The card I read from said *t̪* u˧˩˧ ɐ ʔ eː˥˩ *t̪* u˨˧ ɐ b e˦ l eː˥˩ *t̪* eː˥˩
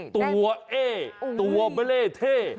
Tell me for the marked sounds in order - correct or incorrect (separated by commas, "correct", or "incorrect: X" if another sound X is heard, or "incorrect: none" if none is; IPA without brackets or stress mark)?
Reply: correct, correct, incorrect: t̪ʰ